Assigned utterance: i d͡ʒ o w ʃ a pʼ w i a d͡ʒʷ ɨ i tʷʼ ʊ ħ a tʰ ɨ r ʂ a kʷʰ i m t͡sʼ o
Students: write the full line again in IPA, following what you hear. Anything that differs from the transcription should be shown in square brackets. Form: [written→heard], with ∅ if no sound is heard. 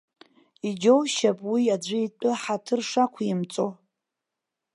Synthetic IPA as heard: i d͡ʒ o w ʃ a pʼ w i a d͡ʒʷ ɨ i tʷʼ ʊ ħ a tʰ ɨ r ʂ a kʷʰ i m t͡sʼ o